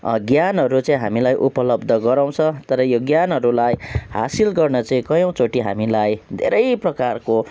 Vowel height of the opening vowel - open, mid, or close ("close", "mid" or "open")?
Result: open